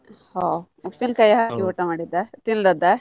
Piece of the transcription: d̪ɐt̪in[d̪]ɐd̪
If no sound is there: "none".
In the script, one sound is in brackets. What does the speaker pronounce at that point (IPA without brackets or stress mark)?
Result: d̪